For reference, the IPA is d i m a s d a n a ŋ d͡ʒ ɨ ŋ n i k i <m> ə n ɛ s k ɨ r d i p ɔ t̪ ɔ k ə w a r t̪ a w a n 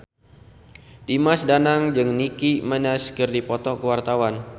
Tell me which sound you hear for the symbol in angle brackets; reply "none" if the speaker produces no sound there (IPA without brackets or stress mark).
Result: m